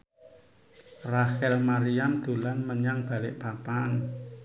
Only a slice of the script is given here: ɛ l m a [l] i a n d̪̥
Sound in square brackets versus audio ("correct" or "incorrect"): incorrect